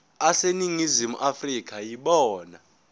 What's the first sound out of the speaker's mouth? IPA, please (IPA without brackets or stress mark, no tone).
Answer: a